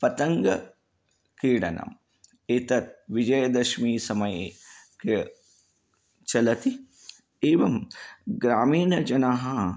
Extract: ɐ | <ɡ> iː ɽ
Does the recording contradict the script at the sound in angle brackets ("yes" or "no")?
yes